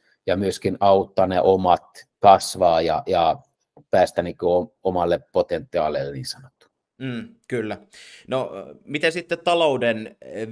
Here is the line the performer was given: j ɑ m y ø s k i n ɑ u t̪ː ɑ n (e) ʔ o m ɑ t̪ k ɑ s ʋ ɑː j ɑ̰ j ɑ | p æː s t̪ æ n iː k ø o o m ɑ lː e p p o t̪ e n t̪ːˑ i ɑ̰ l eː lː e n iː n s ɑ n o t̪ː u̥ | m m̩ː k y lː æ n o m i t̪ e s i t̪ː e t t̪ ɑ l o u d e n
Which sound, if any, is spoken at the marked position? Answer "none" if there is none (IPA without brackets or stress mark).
e